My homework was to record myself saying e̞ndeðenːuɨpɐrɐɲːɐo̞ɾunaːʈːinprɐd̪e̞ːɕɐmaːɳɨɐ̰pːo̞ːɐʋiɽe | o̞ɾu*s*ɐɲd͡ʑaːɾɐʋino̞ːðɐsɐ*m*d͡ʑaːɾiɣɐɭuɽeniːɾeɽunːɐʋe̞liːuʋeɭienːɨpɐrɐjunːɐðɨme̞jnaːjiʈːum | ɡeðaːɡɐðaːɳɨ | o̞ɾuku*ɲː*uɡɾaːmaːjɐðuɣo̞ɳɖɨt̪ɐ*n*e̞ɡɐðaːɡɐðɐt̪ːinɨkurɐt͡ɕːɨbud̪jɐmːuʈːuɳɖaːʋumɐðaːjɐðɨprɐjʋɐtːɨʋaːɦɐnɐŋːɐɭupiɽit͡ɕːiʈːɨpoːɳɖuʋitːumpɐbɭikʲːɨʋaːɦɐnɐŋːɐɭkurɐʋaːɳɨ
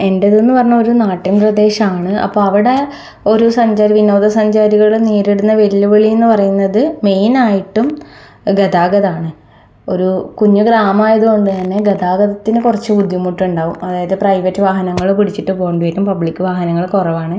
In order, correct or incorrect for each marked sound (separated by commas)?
correct, incorrect, correct, incorrect